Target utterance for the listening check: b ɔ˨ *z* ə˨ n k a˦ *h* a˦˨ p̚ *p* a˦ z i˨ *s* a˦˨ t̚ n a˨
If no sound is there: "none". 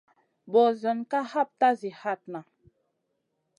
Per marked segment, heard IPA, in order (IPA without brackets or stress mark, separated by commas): z, h, t, h